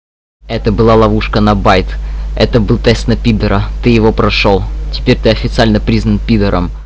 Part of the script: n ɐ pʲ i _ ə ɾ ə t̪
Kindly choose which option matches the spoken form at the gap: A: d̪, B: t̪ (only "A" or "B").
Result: A